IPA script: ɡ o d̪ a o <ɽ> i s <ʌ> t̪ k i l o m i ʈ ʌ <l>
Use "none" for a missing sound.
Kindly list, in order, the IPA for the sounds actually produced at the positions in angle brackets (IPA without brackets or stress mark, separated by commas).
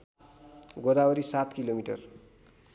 ɾ, a, r